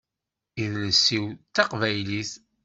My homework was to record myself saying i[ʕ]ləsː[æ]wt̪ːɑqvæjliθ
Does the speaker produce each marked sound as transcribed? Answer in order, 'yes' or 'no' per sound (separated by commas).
no, no